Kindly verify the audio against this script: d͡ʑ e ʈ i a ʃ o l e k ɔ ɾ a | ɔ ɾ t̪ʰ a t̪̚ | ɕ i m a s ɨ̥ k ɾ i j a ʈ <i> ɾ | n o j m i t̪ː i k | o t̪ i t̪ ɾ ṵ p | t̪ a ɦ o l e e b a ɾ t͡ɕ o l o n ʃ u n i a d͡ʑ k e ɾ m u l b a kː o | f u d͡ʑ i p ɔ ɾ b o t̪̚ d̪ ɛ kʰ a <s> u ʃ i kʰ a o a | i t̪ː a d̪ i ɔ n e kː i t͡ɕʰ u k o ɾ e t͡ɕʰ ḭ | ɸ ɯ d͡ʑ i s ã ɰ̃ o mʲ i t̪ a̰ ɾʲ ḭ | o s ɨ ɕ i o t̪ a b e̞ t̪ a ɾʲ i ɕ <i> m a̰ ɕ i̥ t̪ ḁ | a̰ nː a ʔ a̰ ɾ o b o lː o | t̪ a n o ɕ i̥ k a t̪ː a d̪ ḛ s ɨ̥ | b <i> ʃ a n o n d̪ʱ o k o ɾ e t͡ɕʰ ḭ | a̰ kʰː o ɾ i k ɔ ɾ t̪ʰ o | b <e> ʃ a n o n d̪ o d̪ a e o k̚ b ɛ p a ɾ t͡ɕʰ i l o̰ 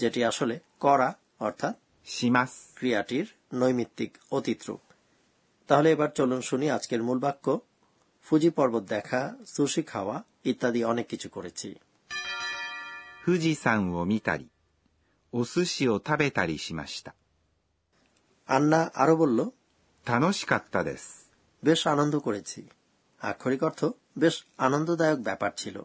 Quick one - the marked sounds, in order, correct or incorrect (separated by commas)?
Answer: correct, correct, correct, incorrect, correct